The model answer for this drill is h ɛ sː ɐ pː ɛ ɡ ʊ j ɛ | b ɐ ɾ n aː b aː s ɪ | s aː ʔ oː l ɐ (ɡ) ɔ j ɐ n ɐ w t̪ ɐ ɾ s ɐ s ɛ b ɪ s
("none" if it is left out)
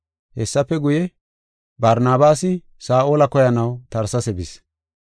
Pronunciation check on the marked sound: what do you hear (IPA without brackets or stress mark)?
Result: k